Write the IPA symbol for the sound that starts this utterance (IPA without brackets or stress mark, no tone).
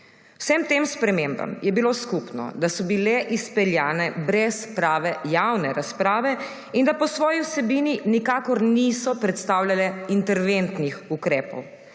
w